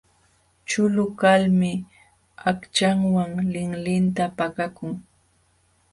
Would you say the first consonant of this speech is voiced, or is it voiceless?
voiceless